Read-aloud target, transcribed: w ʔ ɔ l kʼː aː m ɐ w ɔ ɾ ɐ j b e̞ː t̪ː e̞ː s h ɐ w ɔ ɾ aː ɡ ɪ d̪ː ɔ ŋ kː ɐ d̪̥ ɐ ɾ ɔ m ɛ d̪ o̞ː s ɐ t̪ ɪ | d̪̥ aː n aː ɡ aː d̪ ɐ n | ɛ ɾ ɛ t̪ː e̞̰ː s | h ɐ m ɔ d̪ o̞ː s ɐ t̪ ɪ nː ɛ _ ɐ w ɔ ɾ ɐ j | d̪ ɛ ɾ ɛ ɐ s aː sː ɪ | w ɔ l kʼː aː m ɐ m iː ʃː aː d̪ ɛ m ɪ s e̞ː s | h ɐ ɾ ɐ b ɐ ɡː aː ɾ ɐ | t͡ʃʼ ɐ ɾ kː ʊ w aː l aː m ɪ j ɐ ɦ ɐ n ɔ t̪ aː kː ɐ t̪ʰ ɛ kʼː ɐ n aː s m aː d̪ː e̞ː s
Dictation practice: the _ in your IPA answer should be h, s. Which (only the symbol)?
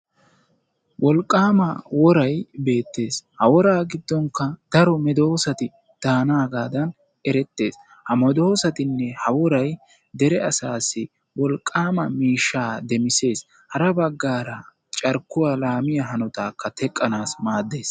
h